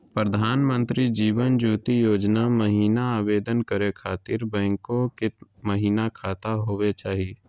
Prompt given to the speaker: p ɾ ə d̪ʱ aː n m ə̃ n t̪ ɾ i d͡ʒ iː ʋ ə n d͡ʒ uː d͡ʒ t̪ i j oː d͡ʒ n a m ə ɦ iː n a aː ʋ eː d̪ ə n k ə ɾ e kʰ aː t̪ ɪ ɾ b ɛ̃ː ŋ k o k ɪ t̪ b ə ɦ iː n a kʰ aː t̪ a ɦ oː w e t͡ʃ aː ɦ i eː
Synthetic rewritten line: p ɾ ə d̪ʱ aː n m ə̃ n t̪ ɾ i d͡ʒ iː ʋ ə n d͡ʒ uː t̪ i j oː d͡ʒ n a m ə ɦ iː n a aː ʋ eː d̪ ə n k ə ɾ e kʰ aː t̪ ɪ ɾ b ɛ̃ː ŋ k o k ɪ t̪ m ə ɦ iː n a kʰ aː t̪ a ɦ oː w e t͡ʃ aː ɦ i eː